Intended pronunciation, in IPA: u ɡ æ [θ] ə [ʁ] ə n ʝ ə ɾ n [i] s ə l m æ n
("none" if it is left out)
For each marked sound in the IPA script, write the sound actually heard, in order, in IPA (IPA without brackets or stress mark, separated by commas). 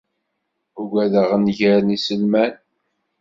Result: ð, ʁ, i